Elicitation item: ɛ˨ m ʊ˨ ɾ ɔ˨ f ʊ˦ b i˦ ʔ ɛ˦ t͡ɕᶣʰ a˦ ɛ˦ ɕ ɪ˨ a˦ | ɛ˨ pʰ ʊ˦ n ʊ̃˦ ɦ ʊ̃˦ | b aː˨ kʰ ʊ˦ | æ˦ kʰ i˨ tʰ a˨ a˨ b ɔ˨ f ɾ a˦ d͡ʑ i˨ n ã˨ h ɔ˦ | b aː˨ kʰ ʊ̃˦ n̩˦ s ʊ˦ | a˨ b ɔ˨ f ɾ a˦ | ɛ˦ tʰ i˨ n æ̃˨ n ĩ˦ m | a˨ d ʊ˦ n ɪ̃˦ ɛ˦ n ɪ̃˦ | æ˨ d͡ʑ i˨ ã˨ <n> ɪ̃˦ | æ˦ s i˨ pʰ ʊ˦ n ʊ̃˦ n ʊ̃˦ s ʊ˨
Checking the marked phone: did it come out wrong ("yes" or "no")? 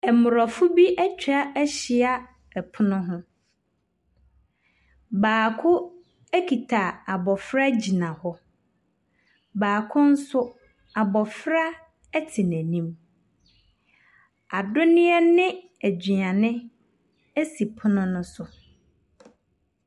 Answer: no